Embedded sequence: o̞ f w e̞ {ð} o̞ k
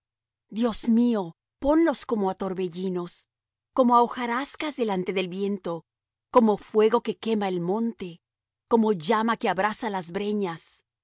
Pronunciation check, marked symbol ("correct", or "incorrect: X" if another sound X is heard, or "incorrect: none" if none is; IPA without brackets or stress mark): incorrect: ɣ